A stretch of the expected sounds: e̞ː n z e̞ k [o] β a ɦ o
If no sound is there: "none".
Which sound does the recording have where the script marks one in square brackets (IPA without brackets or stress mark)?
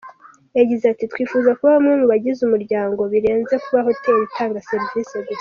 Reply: u